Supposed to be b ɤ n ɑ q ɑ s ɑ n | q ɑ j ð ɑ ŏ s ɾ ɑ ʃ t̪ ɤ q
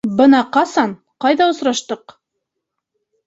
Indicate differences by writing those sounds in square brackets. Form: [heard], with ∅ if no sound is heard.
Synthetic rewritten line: b ɤ n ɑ q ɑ s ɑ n | q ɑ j ð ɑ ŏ s ɾ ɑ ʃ t̪ ɤ q